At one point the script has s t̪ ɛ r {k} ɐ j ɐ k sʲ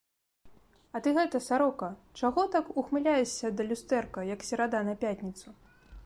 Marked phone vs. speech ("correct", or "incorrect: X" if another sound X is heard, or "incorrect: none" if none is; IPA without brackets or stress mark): correct